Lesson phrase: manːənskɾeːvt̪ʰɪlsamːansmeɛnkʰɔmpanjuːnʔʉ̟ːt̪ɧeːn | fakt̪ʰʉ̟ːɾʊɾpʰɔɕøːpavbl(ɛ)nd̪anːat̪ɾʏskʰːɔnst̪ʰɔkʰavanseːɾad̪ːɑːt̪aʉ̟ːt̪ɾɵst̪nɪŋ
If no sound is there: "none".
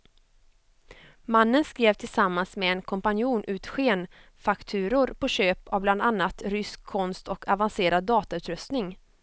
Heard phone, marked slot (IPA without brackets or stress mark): a